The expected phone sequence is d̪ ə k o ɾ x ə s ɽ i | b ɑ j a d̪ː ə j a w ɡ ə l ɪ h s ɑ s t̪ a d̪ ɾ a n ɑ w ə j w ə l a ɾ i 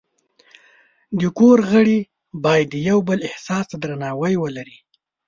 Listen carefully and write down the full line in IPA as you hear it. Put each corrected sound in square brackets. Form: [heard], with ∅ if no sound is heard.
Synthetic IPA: d̪ ə k o ɾ [ɣ] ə [∅] ɽ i | b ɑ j a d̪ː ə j a w [b] ə l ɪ h s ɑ s t̪ a d̪ ɾ a n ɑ w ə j w ə l a ɾ i